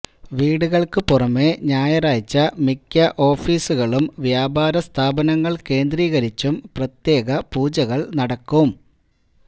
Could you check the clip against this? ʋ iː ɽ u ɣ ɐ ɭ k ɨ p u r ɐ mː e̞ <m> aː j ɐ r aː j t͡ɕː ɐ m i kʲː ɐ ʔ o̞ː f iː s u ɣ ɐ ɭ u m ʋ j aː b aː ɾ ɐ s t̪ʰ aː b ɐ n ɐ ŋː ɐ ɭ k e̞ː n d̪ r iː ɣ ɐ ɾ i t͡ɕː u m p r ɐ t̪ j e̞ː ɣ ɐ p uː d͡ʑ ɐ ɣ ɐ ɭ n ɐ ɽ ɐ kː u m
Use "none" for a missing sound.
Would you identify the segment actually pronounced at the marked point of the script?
ɲ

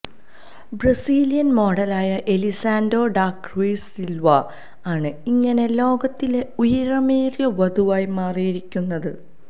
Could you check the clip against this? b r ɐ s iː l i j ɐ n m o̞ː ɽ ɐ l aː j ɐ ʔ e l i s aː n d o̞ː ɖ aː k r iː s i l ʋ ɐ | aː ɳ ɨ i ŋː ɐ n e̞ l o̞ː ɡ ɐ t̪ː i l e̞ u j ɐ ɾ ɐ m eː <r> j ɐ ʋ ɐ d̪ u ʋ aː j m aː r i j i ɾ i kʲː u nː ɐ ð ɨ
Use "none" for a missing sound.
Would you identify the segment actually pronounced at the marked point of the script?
r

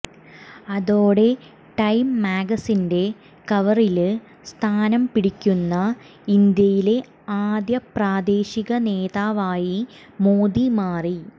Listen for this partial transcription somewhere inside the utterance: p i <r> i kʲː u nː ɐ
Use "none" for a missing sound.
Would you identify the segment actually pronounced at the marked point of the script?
ɽ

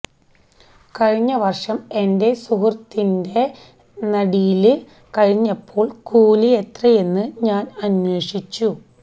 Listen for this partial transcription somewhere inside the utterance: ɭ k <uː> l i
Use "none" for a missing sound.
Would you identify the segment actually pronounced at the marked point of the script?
uː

